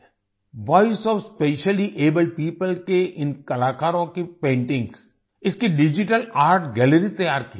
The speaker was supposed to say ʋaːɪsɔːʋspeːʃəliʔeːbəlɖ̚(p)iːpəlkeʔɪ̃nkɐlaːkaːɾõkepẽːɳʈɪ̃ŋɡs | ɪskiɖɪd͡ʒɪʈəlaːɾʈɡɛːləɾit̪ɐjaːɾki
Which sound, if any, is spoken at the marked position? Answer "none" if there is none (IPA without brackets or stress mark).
p